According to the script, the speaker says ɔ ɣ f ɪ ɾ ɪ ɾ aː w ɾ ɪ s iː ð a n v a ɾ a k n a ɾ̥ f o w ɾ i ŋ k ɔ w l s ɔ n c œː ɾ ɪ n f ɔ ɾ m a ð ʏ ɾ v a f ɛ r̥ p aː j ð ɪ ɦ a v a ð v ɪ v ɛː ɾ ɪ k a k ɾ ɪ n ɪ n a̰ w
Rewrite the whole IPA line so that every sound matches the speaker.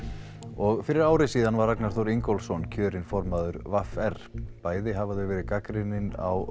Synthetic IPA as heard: ɔ ɣ f ɪ ɾ ɪ ɾ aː w ɾ ɪ s iː ð a n v a ɾ a k n a ɾ̥ θ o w ɾ i ŋ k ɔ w l s ɔ n cʰ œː ɾ ɪ n f ɔ ɾ m a ð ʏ ɾ v a f ɛ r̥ p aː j ð ɪ ɦ a v a ð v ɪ v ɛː ɾ ɪ k a k ɾ ɪ n ɪ n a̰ w